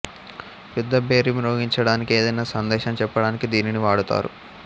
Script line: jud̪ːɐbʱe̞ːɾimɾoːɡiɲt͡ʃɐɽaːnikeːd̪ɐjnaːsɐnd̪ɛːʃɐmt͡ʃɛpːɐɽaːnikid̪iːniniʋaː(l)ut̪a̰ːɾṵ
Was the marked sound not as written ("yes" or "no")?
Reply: yes